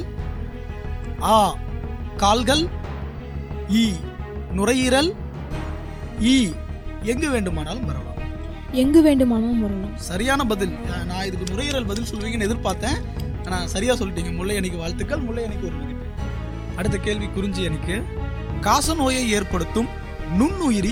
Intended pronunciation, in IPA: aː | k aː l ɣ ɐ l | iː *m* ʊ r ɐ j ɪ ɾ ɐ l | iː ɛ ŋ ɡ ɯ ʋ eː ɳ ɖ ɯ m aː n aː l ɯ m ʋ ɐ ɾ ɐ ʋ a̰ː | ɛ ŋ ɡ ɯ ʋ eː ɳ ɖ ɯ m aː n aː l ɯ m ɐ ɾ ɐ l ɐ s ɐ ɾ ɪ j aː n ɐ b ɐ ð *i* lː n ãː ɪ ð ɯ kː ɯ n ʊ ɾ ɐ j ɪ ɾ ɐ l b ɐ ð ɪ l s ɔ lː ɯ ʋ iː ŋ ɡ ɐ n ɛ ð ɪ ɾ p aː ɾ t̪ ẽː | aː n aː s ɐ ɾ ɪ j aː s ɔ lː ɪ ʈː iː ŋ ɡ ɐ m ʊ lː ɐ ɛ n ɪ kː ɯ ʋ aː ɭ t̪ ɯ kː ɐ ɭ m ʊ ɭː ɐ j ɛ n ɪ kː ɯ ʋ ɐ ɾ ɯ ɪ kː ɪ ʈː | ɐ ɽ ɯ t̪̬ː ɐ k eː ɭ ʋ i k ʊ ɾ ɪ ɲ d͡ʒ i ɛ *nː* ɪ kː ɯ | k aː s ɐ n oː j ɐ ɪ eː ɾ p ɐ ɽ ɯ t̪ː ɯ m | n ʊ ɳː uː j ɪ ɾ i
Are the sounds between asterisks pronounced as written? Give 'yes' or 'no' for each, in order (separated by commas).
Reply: no, no, no